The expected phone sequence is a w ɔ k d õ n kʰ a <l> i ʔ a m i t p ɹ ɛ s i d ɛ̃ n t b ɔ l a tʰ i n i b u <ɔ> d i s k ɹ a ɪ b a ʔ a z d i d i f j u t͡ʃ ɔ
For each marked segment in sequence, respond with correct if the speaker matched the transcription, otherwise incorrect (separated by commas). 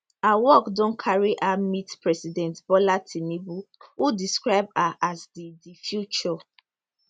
incorrect, incorrect